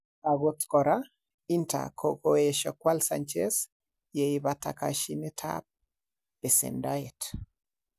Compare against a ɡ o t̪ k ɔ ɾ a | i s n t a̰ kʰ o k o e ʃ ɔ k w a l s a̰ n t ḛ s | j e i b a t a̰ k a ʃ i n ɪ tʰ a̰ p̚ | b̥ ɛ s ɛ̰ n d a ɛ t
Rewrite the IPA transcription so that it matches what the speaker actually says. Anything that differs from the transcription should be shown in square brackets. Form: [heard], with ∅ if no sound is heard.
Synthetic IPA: a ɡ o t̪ k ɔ ɾ a | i [∅] n t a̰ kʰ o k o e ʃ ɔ k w a l s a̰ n [t͡ʃ] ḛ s | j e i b a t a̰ k a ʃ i n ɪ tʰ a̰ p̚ | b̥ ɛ s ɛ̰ n d a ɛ t